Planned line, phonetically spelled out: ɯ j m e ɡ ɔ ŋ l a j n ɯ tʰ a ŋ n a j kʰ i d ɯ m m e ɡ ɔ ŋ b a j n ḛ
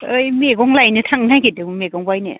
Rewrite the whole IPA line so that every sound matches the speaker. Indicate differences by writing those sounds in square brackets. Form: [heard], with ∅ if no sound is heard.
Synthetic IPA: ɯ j m e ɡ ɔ ŋ l a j n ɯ tʰ a ŋ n a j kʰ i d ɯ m m e ɡ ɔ ŋ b a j n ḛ